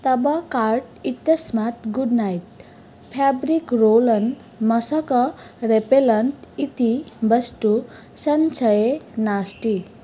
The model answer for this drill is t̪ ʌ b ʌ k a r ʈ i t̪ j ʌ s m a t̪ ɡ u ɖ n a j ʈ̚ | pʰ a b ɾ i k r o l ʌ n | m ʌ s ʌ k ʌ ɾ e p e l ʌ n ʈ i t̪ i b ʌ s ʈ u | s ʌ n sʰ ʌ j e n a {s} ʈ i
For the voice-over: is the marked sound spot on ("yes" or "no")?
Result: yes